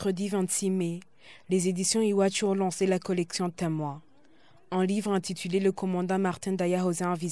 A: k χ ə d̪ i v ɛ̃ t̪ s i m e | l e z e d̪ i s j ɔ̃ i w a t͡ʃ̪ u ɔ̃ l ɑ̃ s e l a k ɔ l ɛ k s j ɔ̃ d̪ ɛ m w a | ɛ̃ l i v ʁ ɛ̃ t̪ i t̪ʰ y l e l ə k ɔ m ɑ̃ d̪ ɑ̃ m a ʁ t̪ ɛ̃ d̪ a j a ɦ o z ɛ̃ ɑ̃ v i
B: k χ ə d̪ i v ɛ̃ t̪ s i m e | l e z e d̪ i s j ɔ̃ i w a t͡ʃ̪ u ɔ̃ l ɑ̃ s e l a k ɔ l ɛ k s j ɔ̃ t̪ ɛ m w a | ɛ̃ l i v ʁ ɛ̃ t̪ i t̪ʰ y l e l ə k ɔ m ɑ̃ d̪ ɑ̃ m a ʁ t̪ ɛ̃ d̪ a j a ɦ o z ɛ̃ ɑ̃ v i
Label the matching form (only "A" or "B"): B